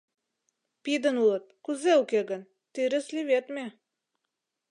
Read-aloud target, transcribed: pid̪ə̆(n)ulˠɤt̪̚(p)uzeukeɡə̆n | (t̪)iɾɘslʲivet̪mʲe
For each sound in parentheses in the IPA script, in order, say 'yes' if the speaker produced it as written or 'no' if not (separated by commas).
yes, no, yes